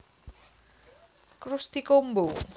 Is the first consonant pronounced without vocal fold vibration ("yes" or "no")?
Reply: yes